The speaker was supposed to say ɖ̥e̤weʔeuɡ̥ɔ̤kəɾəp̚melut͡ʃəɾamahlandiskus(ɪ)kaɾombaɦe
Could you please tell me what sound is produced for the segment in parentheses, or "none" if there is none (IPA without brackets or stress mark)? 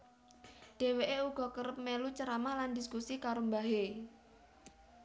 i